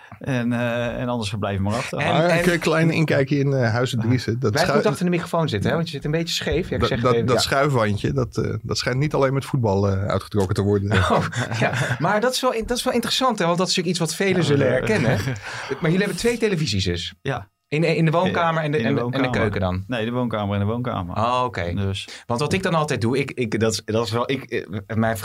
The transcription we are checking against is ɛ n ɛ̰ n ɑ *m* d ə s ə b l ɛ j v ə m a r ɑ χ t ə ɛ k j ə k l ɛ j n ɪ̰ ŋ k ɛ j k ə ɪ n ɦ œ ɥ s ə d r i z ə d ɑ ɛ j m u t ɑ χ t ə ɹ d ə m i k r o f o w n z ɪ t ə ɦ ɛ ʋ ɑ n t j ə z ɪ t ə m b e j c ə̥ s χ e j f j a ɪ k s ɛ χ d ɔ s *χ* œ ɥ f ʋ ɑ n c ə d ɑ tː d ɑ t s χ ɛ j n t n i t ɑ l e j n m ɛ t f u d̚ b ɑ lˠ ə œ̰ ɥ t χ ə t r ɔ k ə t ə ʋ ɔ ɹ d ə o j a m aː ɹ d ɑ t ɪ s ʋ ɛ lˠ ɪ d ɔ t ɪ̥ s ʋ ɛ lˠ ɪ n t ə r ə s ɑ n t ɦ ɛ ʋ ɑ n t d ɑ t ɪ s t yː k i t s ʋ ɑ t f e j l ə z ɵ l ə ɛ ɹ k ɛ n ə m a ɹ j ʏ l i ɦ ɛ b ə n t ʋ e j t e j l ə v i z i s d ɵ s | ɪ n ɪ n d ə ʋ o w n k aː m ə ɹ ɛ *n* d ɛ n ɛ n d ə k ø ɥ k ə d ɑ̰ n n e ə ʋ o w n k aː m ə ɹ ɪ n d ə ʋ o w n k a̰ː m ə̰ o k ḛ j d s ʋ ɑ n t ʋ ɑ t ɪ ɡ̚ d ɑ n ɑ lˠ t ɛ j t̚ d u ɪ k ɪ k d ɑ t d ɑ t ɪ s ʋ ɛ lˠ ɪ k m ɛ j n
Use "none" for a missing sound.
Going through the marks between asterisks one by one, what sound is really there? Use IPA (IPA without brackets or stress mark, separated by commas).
n, χ, n